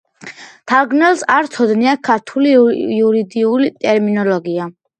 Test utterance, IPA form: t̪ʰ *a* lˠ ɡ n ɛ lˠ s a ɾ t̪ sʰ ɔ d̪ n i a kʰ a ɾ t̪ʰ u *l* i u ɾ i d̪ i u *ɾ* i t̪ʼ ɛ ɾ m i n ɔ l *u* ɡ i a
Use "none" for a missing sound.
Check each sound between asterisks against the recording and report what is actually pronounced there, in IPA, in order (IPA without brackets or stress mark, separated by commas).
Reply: a, l, l, ɔ